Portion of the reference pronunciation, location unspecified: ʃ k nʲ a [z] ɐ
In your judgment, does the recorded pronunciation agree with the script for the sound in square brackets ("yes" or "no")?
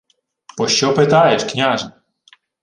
no